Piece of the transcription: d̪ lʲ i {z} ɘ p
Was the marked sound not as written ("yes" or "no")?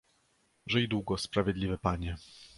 yes